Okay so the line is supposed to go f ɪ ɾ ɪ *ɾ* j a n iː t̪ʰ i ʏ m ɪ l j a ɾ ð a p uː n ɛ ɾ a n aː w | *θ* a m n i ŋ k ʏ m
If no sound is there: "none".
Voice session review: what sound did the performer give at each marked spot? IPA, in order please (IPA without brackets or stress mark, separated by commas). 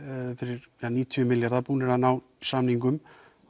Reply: ɾ, s